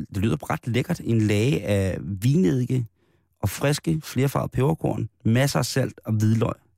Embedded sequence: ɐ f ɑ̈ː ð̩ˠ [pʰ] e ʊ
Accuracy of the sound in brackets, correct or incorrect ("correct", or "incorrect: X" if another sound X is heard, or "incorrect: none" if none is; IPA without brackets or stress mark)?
correct